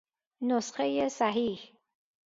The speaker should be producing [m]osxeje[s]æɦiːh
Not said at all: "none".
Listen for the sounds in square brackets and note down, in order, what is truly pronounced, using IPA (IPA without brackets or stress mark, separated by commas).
n, s